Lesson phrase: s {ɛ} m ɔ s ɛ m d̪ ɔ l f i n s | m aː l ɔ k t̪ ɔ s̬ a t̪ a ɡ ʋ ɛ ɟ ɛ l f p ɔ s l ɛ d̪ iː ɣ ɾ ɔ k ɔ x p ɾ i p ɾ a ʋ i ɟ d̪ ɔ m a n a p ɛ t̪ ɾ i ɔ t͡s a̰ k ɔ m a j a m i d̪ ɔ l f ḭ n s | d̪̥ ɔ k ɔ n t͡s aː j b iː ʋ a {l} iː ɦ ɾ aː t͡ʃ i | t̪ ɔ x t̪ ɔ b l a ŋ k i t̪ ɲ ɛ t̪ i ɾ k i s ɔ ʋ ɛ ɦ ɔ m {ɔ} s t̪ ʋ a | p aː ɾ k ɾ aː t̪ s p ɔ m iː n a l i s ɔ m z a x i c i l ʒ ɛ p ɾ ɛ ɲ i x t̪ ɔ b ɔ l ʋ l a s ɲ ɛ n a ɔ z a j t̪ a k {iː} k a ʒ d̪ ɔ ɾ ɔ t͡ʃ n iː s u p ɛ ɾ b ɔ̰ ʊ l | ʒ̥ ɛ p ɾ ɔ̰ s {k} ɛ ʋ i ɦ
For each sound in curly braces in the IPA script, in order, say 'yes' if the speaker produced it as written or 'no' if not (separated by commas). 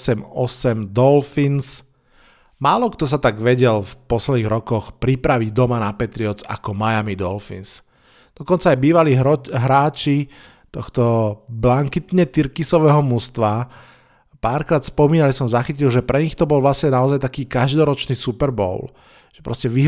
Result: yes, yes, no, yes, no